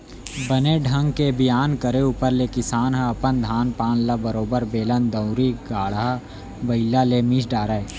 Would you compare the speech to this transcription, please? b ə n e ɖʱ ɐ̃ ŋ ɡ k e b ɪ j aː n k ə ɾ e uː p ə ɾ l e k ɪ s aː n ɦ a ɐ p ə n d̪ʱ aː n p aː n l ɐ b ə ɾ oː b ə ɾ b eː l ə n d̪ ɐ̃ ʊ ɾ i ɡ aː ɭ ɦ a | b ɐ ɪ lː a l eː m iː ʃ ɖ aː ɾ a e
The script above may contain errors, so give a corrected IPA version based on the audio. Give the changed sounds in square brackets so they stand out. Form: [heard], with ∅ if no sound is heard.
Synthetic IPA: b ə n e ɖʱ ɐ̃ ŋ ɡ k e b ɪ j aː n k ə ɾ e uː p ə ɾ l e k ɪ s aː n ɦ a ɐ p ə n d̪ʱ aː n p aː n l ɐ b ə ɾ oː b ə ɾ b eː l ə n d̪ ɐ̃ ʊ ɾ i ɡ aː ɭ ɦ a | b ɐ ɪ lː a l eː m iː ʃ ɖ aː ɾ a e